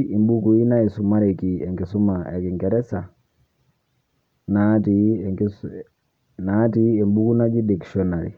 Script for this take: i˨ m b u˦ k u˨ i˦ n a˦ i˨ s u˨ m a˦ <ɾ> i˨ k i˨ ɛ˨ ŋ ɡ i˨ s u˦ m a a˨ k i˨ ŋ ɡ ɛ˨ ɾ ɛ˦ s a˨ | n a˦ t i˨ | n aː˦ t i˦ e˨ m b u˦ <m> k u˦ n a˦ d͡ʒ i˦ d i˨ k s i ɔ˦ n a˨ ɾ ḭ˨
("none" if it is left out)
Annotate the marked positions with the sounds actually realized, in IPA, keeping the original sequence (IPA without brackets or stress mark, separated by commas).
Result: ɾ, none